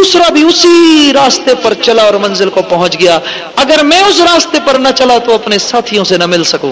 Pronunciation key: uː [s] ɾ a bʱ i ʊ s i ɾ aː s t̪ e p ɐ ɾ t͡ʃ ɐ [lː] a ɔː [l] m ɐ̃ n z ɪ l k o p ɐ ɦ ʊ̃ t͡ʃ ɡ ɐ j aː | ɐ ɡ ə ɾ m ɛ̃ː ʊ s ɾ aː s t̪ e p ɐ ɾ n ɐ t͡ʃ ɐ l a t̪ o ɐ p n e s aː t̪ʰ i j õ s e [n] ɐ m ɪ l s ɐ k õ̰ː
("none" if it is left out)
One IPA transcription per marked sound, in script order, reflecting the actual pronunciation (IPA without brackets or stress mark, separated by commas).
s, l, ɾ, n